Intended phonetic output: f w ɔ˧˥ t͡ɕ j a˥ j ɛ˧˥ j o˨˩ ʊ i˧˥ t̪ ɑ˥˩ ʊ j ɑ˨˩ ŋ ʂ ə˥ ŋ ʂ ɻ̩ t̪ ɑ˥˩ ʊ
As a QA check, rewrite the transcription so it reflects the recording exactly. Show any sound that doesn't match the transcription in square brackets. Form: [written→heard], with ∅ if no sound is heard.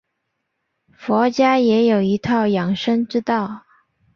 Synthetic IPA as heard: f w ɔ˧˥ t͡ɕ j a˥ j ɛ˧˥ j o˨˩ ʊ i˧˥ [t̪→t̪ʰ] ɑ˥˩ ʊ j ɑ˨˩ ŋ ʂ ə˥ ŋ [ʂ→ʈ͡ʂ] ɻ̩ t̪ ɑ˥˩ ʊ